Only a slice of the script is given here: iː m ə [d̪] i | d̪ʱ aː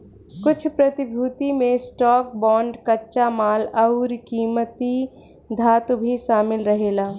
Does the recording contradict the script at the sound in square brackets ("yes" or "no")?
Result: yes